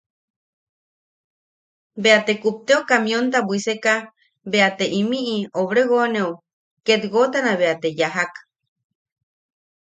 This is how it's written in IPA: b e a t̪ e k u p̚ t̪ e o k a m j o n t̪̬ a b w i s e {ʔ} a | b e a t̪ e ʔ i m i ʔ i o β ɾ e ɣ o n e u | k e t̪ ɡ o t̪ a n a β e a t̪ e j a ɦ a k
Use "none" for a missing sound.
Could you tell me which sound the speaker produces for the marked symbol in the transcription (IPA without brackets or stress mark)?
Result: k